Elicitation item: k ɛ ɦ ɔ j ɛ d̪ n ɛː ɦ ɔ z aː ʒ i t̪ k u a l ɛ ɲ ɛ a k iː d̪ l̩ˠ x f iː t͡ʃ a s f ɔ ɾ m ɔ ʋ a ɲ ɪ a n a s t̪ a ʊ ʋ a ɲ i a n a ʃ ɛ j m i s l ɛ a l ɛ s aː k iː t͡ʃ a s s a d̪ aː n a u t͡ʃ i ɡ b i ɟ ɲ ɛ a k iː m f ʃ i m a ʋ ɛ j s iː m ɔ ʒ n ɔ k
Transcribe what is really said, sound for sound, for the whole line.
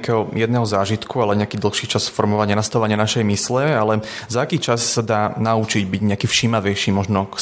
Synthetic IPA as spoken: k ɛ ɦ ɔ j ɛ d̪ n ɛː ɦ ɔ z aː ʒ i t̪ k u a l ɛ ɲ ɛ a k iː d̪ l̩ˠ x ʃ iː t͡ʃ a s f ɔ ɾ m ɔ ʋ a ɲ ɪ a n a s t̪ a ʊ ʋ a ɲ ɪ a n a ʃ ɛ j m i s l ɛ a l ɛ z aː k iː t͡ʃ a s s a d̪ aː n a u t͡ʃ i ɟ b i ɟ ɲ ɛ a k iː f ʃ i m a ʋ ɛ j ʃ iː m ɔ ʒ n ɔ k